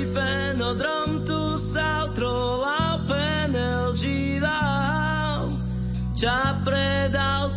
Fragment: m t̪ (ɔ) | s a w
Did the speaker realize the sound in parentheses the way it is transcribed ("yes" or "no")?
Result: no